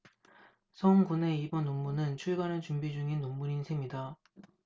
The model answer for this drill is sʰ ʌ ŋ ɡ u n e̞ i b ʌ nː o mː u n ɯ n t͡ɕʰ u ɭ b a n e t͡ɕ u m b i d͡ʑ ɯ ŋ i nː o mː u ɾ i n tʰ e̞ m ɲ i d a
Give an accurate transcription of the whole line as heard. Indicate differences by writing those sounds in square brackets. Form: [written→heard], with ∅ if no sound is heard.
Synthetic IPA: sʰ ʌ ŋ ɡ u n e̞ i b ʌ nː o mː u n ɯ n t͡ɕʰ u ɭ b a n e t͡ɕ u m b i d͡ʑ [ɯ→u] ŋ i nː o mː u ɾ i n [tʰ→sʰ] e̞ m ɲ i d a